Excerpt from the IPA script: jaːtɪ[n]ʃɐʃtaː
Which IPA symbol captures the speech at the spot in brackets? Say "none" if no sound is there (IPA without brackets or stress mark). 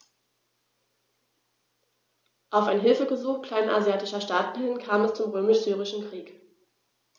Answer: none